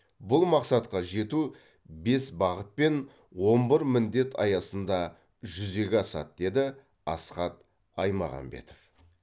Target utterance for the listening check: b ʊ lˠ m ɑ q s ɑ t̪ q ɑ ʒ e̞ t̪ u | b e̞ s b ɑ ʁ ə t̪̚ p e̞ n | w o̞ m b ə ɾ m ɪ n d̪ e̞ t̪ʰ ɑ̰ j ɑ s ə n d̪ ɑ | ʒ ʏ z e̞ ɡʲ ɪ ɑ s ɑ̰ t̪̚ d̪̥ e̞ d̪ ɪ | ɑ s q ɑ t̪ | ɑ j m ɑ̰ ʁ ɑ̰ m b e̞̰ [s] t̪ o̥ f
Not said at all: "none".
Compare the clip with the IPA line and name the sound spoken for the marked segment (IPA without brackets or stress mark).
none